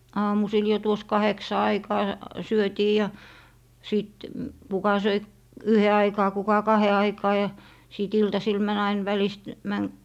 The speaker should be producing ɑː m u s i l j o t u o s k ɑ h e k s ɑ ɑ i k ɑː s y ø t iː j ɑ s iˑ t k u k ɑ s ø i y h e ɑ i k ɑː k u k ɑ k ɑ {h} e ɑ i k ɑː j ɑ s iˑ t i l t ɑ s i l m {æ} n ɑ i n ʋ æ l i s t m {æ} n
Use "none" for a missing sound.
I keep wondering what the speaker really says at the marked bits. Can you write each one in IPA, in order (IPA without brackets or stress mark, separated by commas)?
h, æ, æ